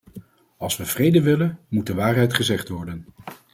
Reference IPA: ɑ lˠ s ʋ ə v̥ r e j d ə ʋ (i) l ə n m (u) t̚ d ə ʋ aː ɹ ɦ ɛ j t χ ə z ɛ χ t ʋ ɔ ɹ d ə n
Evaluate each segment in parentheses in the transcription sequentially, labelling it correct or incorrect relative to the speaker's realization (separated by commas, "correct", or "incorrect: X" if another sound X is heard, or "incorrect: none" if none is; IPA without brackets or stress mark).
incorrect: ɪ, correct